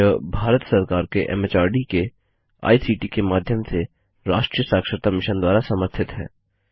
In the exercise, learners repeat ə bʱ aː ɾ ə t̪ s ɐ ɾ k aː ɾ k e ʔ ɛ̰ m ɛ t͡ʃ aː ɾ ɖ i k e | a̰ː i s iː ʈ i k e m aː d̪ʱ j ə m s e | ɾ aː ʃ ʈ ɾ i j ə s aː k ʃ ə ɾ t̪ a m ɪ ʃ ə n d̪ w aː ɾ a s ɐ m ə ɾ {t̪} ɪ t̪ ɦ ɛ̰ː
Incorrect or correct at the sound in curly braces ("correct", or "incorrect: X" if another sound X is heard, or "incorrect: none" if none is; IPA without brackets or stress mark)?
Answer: incorrect: t̪ʰ